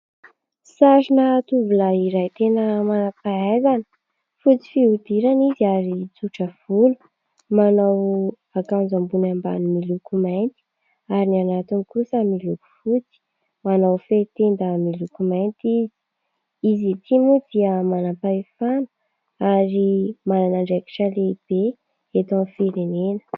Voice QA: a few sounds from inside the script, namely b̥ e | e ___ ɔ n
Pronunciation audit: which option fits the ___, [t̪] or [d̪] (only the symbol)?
t̪